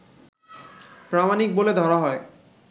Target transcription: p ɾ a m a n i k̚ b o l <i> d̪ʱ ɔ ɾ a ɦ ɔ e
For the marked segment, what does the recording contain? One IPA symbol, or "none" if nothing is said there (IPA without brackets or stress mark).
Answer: e